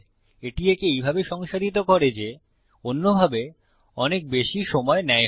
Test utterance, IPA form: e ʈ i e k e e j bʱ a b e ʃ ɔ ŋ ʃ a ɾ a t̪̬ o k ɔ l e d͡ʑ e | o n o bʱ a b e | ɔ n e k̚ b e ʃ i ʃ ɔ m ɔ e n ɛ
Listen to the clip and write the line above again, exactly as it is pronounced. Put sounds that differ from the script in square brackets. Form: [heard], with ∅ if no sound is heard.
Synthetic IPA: e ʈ i e k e e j bʱ a b e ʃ ɔ ŋ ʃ a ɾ [i] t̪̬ o k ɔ [ɾ] e d͡ʑ e | o [nː] o bʱ a b e | ɔ n e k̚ b e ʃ i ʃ ɔ m ɔ e n ɛ

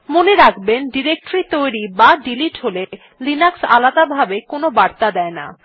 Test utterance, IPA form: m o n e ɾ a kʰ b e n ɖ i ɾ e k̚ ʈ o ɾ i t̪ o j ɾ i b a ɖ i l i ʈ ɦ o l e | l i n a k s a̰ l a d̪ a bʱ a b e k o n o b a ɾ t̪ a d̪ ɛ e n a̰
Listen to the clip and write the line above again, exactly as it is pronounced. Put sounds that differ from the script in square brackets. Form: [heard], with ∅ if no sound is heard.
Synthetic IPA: m o n e ɾ a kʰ b e n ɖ i ɾ e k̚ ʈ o ɾ i t̪ o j ɾ i b a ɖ i l i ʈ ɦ o l e | l i n a k s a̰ l a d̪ a bʱ a b e k o n o b a ɾ t̪ a d̪ ɛ e n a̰

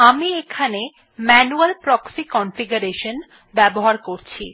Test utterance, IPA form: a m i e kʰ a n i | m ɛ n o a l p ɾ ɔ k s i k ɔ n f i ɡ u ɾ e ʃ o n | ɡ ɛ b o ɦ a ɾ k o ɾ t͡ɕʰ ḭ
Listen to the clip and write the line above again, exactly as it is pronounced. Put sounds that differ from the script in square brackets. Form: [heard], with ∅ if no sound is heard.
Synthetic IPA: a m i e kʰ a n [e] | m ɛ n [u] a l p ɾ ɔ k s i k ɔ n f i ɡ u ɾ e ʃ o n | [b] ɛ b o ɦ a ɾ k o ɾ t͡ɕʰ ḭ

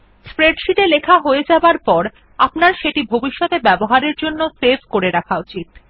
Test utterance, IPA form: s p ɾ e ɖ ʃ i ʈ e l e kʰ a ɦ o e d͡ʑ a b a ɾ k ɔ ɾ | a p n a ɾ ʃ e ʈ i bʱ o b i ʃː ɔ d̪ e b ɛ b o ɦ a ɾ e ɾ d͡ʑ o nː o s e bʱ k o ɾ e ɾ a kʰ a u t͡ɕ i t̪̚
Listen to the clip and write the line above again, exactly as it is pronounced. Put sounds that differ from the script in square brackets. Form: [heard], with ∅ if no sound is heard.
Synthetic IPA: s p ɾ e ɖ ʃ i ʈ e l e kʰ a ɦ o e d͡ʑ a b a ɾ [p] ɔ ɾ | a p n a ɾ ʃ e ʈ i bʱ o b i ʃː ɔ [t̪] e b ɛ b o ɦ a ɾ e ɾ d͡ʑ o nː o s e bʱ k o ɾ e ɾ a kʰ a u t͡ɕ i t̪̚

